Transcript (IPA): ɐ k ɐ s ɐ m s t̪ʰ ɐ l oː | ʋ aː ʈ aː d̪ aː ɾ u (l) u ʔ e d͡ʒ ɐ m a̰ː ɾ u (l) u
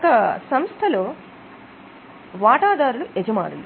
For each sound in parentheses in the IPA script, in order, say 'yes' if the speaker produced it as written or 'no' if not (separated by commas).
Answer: yes, yes